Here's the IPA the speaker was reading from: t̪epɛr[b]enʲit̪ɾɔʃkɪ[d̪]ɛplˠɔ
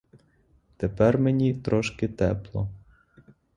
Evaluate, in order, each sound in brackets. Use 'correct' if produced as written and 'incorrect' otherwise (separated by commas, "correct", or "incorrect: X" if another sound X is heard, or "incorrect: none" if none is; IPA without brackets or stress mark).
incorrect: m, incorrect: t̪